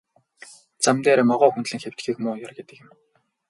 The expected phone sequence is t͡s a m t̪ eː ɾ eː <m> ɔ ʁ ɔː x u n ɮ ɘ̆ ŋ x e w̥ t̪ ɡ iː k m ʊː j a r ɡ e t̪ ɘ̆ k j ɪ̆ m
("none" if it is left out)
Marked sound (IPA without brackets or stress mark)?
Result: m